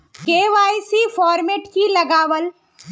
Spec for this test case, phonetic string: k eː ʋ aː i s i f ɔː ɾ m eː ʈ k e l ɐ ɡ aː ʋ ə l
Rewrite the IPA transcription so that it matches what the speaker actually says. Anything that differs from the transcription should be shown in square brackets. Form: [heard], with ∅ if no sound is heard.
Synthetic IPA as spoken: k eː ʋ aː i s i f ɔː ɾ m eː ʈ k [i] l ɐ ɡ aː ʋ ə l